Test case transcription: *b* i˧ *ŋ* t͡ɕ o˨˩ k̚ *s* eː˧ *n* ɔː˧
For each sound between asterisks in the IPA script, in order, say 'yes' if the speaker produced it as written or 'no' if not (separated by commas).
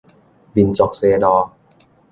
yes, no, yes, no